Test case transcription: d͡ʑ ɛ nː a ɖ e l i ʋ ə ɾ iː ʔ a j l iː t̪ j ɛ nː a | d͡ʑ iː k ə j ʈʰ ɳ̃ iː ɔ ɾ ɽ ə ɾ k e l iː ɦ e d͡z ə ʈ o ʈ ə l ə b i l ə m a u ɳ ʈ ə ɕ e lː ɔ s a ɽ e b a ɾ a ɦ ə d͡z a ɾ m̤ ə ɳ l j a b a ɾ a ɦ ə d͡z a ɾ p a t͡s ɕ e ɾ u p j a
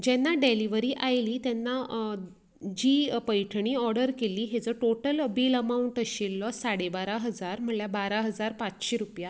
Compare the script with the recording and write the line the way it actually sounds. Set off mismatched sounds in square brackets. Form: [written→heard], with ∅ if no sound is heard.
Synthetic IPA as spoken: d͡ʑ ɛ nː a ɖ e l i ʋ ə ɾ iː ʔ a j l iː t̪ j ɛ nː a | d͡ʑ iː [k→p] ə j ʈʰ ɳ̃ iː ɔ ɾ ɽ ə ɾ k e l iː ɦ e d͡z ə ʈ o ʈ ə l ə b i l ə m a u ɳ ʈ ə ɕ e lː ɔ s a ɽ e b a ɾ a ɦ ə d͡z a ɾ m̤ ə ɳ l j a b a ɾ a ɦ ə d͡z a ɾ p a t͡s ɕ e ɾ u p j a